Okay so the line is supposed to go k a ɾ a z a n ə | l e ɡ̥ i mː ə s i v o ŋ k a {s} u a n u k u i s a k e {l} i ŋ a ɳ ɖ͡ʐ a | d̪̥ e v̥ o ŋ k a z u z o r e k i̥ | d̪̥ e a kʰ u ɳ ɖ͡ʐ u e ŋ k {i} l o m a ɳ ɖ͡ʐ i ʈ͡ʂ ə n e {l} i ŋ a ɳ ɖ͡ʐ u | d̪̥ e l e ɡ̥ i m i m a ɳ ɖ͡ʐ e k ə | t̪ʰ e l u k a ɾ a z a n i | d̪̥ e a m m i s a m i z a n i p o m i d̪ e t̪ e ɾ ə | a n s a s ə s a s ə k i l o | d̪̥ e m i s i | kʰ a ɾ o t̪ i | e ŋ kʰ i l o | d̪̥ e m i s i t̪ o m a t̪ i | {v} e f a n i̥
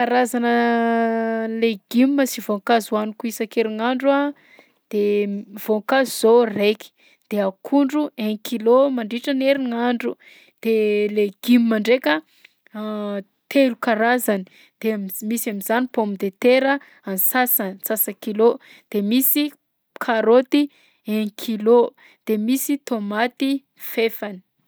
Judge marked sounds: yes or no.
no, no, yes, no, no

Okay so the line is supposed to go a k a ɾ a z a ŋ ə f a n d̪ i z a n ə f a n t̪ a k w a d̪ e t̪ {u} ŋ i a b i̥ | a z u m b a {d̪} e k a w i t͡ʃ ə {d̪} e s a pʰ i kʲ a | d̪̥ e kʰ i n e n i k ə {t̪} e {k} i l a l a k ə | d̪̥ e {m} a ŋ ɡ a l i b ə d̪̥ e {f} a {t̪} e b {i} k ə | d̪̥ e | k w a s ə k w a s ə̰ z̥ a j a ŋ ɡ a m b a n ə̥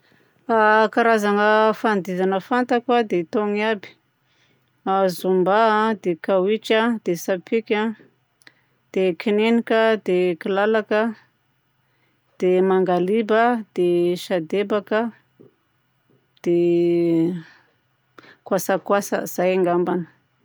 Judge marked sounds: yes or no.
no, yes, yes, no, yes, yes, no, no, no

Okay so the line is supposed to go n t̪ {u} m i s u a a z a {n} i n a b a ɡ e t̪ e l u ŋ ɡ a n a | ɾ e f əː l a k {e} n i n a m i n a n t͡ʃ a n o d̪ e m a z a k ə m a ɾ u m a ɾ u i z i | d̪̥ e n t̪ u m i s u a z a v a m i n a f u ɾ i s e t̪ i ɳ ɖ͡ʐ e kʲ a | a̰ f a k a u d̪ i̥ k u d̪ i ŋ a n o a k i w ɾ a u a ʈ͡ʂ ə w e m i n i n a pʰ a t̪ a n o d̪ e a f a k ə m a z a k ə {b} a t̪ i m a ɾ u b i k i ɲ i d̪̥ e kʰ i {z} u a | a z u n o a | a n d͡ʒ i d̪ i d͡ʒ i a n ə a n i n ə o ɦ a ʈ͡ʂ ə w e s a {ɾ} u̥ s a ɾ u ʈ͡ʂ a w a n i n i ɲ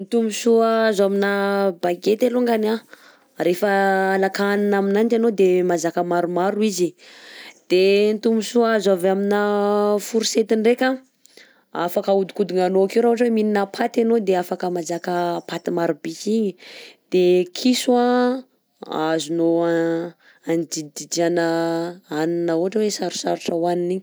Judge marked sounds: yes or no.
yes, no, no, no, no, yes

